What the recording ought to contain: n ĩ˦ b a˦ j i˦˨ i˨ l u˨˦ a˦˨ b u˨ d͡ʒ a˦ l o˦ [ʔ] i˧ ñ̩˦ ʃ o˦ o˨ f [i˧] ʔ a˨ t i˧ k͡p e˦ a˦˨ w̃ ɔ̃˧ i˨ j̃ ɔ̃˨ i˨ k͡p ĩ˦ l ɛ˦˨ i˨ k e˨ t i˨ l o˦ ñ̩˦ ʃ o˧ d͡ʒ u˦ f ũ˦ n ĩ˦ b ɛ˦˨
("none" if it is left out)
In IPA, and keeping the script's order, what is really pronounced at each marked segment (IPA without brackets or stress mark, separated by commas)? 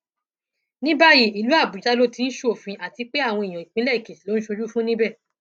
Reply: t, ĩ˧